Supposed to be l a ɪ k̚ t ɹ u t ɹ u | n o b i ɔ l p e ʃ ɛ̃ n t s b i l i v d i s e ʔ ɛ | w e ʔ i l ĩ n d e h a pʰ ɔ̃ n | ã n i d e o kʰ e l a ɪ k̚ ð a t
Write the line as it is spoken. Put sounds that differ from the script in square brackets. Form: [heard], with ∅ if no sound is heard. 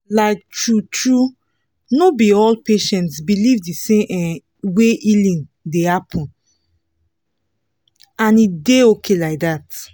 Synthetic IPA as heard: l a ɪ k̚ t ɹ u t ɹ u | n o b i ɔ l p e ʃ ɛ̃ n t s b i l i v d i s e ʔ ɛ | w e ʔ i l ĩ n d e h a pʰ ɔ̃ n | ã n i d e o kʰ e l a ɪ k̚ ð a t